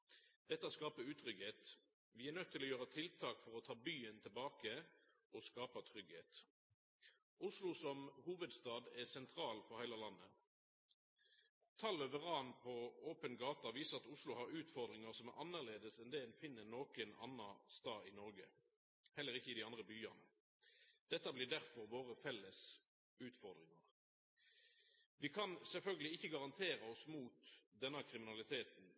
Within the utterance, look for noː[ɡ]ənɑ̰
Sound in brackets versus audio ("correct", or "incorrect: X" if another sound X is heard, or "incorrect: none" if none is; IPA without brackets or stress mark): incorrect: k